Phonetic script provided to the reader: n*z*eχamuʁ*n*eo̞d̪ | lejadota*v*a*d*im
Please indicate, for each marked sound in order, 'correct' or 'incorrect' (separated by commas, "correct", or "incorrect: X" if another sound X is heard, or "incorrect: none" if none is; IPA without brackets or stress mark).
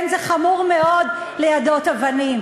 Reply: correct, incorrect: m, correct, incorrect: n